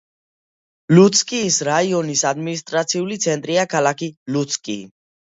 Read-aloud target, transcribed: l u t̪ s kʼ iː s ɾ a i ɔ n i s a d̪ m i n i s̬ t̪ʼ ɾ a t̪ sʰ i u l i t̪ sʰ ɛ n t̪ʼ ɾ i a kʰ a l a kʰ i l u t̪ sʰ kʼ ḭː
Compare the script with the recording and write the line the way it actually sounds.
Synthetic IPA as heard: l u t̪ s kʼ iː s ɾ a i ɔ n i s a d̪ m i n i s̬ t̪ʼ ɾ a t̪ sʰ i u l i t̪ sʰ ɛ n t̪ʼ ɾ i a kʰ a l a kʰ i l u t̪ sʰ kʼ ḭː